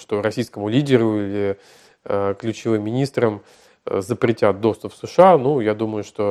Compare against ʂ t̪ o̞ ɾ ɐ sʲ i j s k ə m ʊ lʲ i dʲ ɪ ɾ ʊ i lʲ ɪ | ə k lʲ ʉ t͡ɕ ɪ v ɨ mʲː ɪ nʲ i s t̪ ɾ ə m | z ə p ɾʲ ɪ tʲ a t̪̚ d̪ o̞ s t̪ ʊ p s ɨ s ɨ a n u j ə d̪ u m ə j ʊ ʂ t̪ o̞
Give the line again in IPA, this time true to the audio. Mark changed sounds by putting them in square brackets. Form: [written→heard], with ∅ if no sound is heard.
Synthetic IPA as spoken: ʂ t̪ o̞ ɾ ɐ sʲ i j s k ə m ʊ lʲ i dʲ ɪ ɾ ʊ i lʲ ɪ | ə k lʲ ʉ t͡ɕ ɪ v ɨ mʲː ɪ nʲ i s t̪ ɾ ə m | z ə p ɾʲ ɪ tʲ a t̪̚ d̪ o̞ s t̪ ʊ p s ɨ [s→ʂ] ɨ a n u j [ə→a] d̪ u m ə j ʊ ʂ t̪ o̞